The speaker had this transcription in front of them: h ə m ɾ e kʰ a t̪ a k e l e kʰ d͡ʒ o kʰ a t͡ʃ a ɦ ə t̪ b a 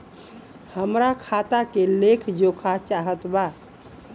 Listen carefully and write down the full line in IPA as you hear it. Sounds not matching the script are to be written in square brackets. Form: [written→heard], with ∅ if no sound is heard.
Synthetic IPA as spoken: h ə m ɾ [e→a] kʰ a t̪ a k e l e kʰ d͡ʒ o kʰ a t͡ʃ a ɦ ə t̪ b a